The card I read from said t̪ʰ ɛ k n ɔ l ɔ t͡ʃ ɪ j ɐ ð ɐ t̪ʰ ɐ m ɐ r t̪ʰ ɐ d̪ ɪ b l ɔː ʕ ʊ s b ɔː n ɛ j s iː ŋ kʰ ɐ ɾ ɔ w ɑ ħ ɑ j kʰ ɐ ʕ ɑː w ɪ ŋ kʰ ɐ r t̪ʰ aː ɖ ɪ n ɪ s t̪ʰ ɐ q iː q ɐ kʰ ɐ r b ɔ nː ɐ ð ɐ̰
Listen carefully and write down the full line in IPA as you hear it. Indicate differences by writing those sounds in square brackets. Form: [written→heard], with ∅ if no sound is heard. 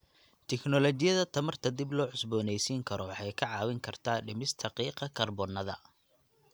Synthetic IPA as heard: t̪ʰ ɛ k n ɔ l ɔ t͡ʃ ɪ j ɐ ð ɐ t̪ʰ ɐ m ɐ r t̪ʰ ɐ d̪ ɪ b l ɔː ʕ ʊ s b ɔː n ɛ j s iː ŋ kʰ ɐ ɾ ɔ w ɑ ħ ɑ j kʰ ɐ ʕ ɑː w ɪ ŋ kʰ ɐ r t̪ʰ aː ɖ ɪ [n→m] ɪ s t̪ʰ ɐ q iː q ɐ kʰ ɐ r b ɔ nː ɐ ð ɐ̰

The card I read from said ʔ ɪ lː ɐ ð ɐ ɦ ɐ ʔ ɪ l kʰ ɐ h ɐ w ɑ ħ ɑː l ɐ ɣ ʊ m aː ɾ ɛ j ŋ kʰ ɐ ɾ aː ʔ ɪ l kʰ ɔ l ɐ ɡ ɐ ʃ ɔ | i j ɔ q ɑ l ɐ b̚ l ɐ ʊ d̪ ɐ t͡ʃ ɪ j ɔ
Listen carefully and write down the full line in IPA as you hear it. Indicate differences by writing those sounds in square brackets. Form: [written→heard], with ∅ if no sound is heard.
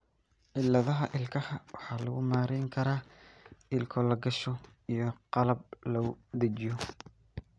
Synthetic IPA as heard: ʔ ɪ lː ɐ ð ɐ ɦ ɐ ʔ ɪ l kʰ ɐ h ɐ w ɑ ħ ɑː l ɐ ɣ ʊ m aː ɾ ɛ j ŋ kʰ ɐ ɾ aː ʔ ɪ l kʰ ɔ l ɐ ɡ ɐ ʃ ɔ | i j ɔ q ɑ l ɐ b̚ l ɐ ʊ d̪ ɐ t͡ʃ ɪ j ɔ

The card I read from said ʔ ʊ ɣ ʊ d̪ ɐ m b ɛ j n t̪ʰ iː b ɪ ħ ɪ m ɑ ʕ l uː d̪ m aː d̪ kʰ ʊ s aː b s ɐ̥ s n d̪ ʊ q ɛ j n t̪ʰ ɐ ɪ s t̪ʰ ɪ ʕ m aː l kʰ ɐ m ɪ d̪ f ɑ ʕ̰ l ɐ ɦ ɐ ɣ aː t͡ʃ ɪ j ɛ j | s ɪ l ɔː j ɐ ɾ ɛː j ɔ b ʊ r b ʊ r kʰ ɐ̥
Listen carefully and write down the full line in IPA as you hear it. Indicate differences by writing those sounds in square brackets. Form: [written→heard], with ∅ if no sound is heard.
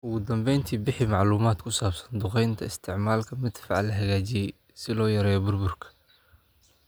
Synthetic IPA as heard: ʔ ʊ ɣ ʊ d̪ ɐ m b ɛ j n t̪ʰ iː b ɪ ħ ɪ m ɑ ʕ l uː [d̪→∅] m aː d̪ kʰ ʊ s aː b s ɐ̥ [s→∅] n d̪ ʊ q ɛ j n t̪ʰ ɐ ɪ s t̪ʰ ɪ ʕ m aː l kʰ ɐ m ɪ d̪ f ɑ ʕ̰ l ɐ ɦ ɐ ɣ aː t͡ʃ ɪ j ɛ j | s ɪ l ɔː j ɐ ɾ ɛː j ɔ b ʊ r b ʊ r kʰ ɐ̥

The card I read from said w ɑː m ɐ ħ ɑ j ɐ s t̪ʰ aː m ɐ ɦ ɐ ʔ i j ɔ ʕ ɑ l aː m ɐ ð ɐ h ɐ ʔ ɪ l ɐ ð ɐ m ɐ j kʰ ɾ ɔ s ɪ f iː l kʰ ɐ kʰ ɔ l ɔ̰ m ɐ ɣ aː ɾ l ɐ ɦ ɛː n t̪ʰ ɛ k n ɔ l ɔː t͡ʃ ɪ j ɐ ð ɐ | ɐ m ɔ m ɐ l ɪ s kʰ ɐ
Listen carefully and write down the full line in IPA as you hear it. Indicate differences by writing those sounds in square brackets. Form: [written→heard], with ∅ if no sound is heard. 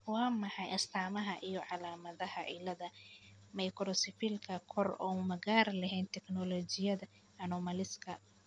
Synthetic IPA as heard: w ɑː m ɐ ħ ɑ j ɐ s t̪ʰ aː m ɐ ɦ ɐ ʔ i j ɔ ʕ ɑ l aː m ɐ ð ɐ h ɐ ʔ ɪ l ɐ ð ɐ m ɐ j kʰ ɾ ɔ s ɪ f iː l kʰ ɐ kʰ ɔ [l→r] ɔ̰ m ɐ ɣ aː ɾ l ɐ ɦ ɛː n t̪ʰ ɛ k n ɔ l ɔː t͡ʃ ɪ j ɐ ð ɐ | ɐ [m→n] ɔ m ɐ l ɪ s kʰ ɐ

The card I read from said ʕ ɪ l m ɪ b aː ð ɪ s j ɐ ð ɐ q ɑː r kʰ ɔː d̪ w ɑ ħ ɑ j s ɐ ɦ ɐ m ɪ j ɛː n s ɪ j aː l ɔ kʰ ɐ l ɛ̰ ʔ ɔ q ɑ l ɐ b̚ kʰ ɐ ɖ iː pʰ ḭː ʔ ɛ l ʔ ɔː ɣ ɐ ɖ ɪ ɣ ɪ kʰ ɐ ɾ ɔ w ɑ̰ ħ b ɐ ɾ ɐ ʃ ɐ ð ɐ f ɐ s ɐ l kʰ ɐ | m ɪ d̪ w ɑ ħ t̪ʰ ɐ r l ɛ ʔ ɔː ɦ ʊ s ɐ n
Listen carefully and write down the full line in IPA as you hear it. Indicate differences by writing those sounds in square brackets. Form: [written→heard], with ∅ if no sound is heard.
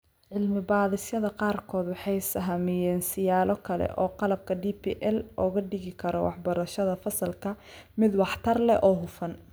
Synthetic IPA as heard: ʕ ɪ l m ɪ b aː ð ɪ s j ɐ ð ɐ q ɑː r kʰ ɔː d̪ w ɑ ħ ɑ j s ɐ ɦ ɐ m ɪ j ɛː n s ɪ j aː l ɔ kʰ ɐ l ɛ̰ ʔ [ɔ→ɔː] q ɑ l ɐ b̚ kʰ ɐ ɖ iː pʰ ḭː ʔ ɛ l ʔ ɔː ɣ ɐ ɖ ɪ ɣ ɪ kʰ ɐ ɾ ɔ w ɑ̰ ħ b ɐ ɾ ɐ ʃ ɐ ð ɐ f ɐ s ɐ l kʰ ɐ | m ɪ d̪ w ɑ ħ t̪ʰ ɐ r l ɛ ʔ ɔː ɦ ʊ [s→f] ɐ n

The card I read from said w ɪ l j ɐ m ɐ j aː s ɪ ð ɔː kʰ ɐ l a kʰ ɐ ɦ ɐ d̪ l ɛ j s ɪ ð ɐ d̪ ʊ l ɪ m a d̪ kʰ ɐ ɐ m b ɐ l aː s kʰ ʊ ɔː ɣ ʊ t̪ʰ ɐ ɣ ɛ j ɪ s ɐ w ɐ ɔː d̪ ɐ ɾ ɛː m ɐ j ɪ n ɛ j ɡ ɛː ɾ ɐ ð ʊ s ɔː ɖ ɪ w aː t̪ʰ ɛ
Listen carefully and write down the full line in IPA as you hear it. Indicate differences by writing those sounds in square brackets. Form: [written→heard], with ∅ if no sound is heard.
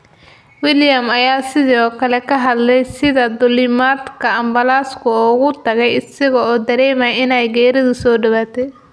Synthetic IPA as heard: w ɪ l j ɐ m ɐ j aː s ɪ ð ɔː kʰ ɐ l [a→ɛ] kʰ ɐ ɦ ɐ d̪ l ɛ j s ɪ ð ɐ d̪ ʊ l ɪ m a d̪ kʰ ɐ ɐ m b ɐ l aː s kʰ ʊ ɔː ɣ ʊ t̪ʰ ɐ ɣ ɛ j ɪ s ɐ [w→ɣ] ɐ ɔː d̪ ɐ ɾ ɛː m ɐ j ɪ n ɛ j ɡ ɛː ɾ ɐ ð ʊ s ɔː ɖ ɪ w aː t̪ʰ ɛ

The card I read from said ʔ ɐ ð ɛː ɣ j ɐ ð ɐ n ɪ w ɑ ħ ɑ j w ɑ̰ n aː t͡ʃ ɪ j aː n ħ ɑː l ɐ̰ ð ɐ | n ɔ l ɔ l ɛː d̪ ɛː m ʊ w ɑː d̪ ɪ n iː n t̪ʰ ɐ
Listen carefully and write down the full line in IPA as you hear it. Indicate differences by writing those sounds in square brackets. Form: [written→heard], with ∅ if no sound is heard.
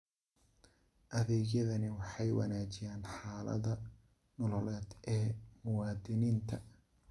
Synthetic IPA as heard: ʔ ɐ ð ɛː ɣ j ɐ ð ɐ n ɪ w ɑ ħ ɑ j w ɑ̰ n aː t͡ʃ ɪ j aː n ħ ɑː l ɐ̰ ð ɐ | n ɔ l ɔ l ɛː d̪ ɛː m ʊ w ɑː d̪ ɪ n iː n t̪ʰ ɐ

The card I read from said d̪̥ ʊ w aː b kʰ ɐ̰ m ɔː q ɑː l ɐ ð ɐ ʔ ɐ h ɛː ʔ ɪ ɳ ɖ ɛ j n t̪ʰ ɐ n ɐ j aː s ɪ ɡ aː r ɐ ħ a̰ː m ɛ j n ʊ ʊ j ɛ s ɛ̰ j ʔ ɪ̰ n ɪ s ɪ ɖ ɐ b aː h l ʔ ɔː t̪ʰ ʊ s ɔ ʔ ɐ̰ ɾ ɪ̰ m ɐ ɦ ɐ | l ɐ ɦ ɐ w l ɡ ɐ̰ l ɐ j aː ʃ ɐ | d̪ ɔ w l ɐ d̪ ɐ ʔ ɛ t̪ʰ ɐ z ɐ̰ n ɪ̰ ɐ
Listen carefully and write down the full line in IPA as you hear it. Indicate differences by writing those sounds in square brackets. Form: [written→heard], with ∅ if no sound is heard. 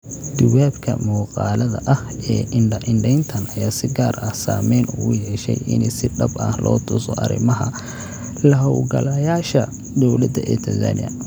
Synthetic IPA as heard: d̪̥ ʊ w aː b kʰ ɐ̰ m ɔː q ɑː l ɐ ð ɐ ʔ ɐ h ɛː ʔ ɪ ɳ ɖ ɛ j n t̪ʰ ɐ n ɐ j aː s ɪ ɡ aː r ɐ [ħ→s] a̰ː m ɛ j n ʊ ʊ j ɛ [s→ʃ] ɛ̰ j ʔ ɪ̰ n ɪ s ɪ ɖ ɐ b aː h l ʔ ɔː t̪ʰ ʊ s ɔ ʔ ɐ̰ ɾ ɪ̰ m ɐ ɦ ɐ | l ɐ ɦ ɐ w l ɡ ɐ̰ l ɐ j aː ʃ ɐ | d̪ ɔ w l ɐ d̪ ɐ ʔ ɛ t̪ʰ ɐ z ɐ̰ n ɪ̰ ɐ

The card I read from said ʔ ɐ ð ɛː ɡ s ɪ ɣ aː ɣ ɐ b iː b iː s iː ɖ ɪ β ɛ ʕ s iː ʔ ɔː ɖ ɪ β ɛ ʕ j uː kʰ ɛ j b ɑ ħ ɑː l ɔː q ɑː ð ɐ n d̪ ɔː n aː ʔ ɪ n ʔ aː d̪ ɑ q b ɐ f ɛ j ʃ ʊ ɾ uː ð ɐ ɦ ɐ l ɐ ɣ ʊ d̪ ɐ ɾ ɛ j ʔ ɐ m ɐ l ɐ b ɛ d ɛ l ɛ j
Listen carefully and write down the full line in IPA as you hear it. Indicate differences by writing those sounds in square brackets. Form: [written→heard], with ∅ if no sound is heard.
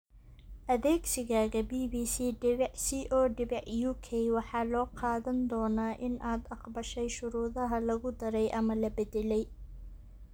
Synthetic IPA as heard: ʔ ɐ ð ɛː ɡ s ɪ ɣ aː ɣ ɐ b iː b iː s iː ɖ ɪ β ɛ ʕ s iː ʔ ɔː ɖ ɪ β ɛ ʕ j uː kʰ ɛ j [b→w] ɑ ħ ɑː l ɔː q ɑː ð ɐ n d̪ ɔː n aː ʔ ɪ n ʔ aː d̪ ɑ q b ɐ [f→ʃ] ɛ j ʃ ʊ ɾ uː ð ɐ ɦ ɐ l ɐ ɣ ʊ d̪ ɐ ɾ ɛ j ʔ ɐ m ɐ l ɐ b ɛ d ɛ l ɛ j

